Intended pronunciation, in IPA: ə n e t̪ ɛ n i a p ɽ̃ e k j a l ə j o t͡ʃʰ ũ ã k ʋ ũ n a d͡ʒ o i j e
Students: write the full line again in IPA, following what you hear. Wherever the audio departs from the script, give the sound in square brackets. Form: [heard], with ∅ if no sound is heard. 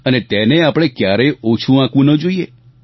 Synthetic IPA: ə n e t̪ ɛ n [e] a p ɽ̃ e k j a [ɾ] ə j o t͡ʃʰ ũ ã k ʋ ũ n [ə] d͡ʒ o i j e